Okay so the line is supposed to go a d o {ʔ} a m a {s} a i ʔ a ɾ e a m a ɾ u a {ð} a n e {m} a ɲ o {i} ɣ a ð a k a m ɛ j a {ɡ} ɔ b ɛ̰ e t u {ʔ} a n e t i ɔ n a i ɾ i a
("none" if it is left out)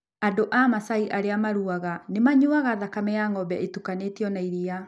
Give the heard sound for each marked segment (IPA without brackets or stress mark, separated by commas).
ʔ, s, ɣ, m, a, ŋ, k